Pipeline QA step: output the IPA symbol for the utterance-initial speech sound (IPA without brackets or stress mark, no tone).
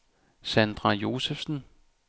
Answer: s